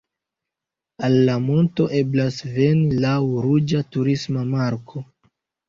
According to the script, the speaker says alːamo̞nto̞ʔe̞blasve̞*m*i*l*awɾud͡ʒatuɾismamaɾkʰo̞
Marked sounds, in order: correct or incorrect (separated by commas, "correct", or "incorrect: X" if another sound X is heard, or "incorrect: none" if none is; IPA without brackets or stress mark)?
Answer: incorrect: n, correct